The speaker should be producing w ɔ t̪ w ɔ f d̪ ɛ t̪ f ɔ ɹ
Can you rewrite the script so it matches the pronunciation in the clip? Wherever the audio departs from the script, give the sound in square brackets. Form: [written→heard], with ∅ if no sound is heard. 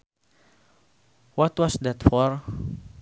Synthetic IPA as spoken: w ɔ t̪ w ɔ [f→s] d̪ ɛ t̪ f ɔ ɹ